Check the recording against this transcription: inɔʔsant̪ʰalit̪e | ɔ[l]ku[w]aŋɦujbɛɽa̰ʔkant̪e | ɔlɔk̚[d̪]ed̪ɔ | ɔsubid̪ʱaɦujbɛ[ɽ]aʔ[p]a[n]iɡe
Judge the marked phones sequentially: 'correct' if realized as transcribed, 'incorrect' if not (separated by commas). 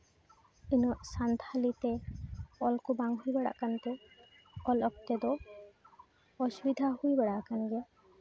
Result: correct, incorrect, incorrect, correct, incorrect, correct